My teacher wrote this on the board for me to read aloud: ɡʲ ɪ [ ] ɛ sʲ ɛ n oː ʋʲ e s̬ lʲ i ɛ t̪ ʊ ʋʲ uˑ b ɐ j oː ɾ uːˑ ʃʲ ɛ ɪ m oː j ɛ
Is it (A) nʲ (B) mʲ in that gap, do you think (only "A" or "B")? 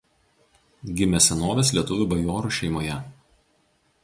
B